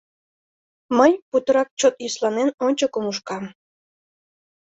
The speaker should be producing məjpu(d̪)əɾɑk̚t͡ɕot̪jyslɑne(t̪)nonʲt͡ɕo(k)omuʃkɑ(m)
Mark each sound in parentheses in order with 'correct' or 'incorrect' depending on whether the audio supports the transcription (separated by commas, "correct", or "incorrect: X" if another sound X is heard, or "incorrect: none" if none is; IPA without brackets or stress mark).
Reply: incorrect: t̪, incorrect: none, correct, correct